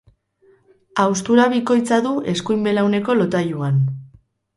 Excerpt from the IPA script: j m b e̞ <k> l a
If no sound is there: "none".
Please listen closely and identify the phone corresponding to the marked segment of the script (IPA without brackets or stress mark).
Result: none